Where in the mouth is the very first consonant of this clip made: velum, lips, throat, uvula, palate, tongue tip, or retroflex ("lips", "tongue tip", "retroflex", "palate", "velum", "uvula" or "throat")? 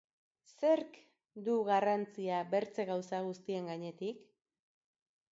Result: tongue tip